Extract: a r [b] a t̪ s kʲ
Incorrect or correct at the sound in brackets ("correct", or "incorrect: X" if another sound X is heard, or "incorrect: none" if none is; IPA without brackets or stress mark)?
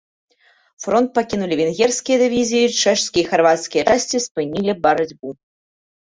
incorrect: v